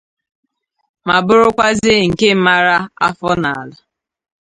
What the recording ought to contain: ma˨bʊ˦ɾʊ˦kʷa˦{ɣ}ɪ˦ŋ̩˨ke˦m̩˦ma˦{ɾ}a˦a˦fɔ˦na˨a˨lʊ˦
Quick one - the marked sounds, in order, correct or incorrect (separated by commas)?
incorrect, correct